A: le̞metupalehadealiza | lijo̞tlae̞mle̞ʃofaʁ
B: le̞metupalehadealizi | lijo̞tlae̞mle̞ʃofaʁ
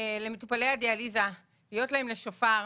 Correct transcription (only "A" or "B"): A